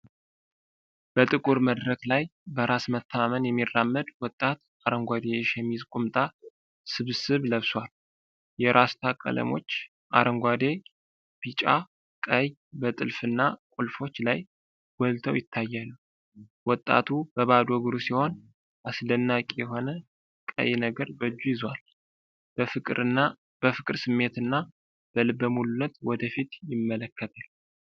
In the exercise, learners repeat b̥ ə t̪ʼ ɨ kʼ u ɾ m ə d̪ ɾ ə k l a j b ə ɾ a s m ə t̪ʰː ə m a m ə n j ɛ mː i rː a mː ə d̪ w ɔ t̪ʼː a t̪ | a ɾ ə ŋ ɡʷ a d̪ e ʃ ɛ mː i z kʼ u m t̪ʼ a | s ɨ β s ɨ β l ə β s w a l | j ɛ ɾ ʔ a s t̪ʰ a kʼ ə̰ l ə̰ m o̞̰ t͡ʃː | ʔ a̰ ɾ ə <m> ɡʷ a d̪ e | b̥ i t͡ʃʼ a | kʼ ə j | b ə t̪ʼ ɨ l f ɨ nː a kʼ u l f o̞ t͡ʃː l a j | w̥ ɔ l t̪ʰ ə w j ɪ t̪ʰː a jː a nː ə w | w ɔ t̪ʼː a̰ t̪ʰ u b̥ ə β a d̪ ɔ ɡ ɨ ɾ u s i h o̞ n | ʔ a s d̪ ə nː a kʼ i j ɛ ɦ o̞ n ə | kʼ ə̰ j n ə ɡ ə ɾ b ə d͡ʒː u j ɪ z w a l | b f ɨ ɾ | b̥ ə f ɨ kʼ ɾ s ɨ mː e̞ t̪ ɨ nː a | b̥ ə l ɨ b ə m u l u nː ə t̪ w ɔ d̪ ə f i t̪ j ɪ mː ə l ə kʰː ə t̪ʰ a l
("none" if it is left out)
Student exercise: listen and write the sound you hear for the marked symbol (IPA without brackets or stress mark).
ŋ